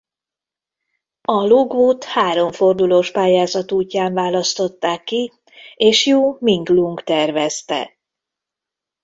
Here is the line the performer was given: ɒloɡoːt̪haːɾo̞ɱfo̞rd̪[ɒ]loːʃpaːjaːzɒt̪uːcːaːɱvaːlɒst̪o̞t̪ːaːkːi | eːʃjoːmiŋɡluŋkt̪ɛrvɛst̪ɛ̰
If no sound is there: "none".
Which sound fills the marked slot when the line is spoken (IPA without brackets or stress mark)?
u